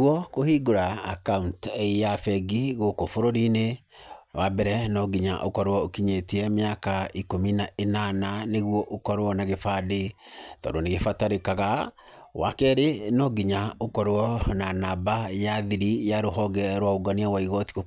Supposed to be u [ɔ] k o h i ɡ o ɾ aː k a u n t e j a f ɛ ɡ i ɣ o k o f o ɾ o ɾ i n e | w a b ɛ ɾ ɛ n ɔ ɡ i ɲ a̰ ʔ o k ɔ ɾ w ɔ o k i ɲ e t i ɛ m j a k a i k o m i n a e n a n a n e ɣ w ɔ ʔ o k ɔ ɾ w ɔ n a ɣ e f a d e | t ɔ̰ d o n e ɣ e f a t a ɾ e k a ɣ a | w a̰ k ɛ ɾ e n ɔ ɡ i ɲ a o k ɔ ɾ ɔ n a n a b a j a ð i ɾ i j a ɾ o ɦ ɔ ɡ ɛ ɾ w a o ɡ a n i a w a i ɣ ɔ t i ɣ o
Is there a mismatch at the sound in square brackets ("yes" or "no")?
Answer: no